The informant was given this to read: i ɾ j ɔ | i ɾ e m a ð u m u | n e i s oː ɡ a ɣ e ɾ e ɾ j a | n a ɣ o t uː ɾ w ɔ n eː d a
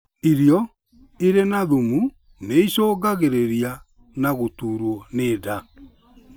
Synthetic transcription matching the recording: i ɾ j ɔ | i ɾ e n a ð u m u | n e i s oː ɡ a ɣ e ɾ e ɾ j a | n a ɣ o t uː ɾ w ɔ n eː d a